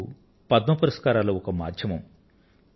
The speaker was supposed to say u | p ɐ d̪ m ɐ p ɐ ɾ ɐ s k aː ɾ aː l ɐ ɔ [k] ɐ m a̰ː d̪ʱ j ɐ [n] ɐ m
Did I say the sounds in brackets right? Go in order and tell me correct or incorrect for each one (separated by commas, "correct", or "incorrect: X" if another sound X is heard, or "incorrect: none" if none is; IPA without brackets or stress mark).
correct, incorrect: m